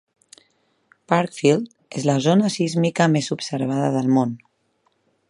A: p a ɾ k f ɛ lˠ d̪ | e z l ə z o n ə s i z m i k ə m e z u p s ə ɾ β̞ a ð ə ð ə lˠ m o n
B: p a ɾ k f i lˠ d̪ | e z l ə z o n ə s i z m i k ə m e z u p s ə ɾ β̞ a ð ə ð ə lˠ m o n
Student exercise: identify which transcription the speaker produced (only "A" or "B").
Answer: B